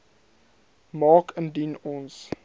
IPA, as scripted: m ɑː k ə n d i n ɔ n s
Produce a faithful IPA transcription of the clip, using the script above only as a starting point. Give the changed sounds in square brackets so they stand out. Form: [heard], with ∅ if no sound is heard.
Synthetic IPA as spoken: m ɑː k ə n d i n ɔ n s